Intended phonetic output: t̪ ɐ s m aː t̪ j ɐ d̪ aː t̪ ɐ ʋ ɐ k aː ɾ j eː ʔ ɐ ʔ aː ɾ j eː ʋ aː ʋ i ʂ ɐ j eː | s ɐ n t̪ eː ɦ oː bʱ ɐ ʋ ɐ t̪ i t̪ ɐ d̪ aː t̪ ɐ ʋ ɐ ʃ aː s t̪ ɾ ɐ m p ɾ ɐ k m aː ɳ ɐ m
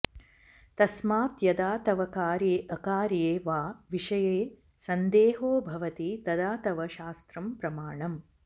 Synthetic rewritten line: t̪ ɐ s m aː t̪ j ɐ d̪ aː t̪ ɐ ʋ ɐ k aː ɾ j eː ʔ ɐ k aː ɾ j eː ʋ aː ʋ i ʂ ɐ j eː | s ɐ n d̪ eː ɦ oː bʱ ɐ ʋ ɐ t̪ i t̪ ɐ d̪ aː t̪ ɐ ʋ ɐ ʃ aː s t̪ ɾ ɐ m p ɾ ɐ m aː ɳ ɐ m